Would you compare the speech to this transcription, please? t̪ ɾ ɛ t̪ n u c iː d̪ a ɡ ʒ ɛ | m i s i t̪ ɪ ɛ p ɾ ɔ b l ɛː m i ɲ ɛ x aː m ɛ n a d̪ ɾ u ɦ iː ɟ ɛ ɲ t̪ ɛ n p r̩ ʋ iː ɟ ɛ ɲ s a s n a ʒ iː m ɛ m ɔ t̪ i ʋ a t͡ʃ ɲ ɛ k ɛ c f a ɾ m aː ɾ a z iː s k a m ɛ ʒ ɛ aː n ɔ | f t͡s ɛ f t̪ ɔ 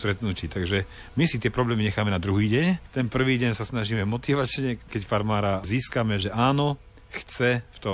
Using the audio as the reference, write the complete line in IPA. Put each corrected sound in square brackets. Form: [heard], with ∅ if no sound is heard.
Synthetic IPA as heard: t̪ ɾ ɛ t̪ n u c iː [t̪] a ɡ ʒ ɛ | m i s i t̪ ɪ ɛ p ɾ ɔ b l ɛː m i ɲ ɛ x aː m ɛ n a d̪ ɾ u ɦ iː ɟ ɛ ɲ t̪ ɛ n p r̩ ʋ iː ɟ ɛ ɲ s a s n a ʒ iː m ɛ m ɔ t̪ i ʋ a t͡ʃ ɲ ɛ k ɛ c f a ɾ m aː ɾ a z iː s k a m ɛ ʒ ɛ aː n ɔ | [x] t͡s ɛ f t̪ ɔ